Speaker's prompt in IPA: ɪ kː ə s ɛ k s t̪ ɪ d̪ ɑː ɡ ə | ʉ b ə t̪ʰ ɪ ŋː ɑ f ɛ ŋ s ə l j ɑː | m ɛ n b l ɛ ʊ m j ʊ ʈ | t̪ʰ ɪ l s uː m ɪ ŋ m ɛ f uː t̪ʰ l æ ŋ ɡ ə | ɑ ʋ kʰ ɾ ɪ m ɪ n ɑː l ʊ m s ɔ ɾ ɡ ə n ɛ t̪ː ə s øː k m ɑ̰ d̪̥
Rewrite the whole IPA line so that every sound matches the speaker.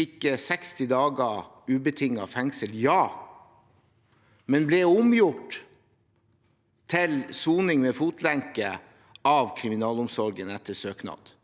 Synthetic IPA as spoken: ɪ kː ə s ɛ k s t̪ ɪ d̪ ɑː ɡ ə | ʉː b ə t̪ʰ ɪ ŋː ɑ f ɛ ŋ s ə l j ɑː | m ɛ n b l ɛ ʊ m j ʊ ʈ | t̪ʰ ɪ l s uː n ɪ ŋ m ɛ f uː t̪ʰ l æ ŋ k ə | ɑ ʋ kʰ ɾ ɪ m ɪ n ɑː l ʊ m s ɔ ɾ ɡ ə n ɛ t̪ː ə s øː k n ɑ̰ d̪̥